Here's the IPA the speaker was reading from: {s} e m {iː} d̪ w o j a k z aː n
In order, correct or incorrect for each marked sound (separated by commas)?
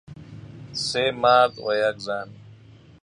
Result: correct, incorrect